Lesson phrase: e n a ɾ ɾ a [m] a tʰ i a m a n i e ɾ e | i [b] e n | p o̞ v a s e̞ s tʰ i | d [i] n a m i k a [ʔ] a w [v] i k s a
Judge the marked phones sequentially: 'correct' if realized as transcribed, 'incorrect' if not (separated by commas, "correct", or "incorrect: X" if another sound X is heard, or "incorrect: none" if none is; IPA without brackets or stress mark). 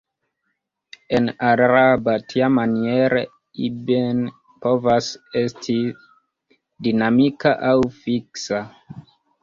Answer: incorrect: b, correct, correct, correct, incorrect: f